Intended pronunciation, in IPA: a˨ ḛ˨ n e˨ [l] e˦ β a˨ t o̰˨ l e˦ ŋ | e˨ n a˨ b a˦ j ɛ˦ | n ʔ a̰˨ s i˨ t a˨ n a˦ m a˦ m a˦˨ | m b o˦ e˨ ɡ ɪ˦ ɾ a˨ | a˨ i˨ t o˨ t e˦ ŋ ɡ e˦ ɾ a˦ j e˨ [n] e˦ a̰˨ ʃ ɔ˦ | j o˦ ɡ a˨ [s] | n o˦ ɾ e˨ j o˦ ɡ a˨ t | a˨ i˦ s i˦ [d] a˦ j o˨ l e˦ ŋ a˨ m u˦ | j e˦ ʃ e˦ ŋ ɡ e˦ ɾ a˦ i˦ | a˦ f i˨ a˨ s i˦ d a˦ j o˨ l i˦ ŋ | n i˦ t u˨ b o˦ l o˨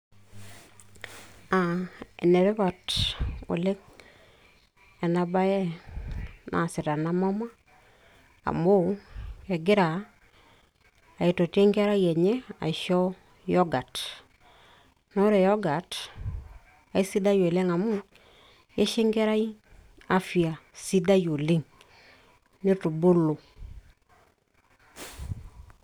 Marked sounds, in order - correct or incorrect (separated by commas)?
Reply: incorrect, incorrect, incorrect, correct